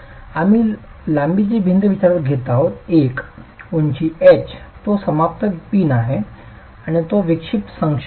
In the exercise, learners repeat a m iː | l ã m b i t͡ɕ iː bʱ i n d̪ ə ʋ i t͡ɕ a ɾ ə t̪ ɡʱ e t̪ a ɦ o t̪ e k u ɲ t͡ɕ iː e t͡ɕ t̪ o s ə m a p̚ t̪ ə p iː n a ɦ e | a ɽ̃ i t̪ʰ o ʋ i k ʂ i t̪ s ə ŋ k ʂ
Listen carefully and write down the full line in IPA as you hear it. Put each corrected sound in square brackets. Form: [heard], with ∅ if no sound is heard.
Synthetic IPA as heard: a m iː | l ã m b i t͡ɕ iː bʱ i n d̪ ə ʋ i t͡ɕ a ɾ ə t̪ ɡʱ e t̪ a ɦ o t̪ e k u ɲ t͡ɕ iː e t͡ɕ t̪ o s ə m a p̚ t̪ ə p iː n a ɦ e | a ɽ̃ i [t̪] o ʋ i k ʂ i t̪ s ə ŋ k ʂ